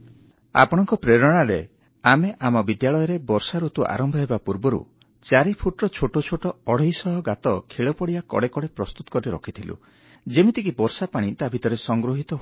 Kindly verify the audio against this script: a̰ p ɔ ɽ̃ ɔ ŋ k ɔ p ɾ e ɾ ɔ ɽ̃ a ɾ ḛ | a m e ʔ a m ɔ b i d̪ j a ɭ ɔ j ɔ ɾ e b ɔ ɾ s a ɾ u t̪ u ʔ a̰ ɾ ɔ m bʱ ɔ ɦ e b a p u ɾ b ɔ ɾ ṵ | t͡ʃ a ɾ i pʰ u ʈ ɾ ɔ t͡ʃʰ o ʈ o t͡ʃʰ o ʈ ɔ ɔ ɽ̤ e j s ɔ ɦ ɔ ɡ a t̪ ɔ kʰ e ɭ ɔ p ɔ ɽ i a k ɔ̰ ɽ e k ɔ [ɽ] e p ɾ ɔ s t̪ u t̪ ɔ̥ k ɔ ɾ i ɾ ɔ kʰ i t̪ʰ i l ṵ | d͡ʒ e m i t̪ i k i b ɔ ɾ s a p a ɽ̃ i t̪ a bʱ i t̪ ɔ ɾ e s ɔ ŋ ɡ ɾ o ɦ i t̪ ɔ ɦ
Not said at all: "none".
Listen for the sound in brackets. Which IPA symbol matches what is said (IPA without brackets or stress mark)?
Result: ɽ